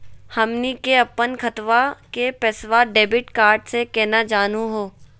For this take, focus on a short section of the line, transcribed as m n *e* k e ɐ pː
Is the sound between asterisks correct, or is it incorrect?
incorrect